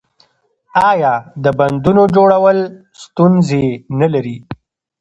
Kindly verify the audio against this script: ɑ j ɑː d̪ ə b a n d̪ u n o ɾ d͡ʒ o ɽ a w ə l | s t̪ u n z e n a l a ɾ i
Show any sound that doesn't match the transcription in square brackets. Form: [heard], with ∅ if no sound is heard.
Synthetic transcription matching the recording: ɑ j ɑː d̪ ə b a n d̪ u n o [∅] d͡ʒ o ɽ a w ə l | s t̪ u n z e n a l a ɾ i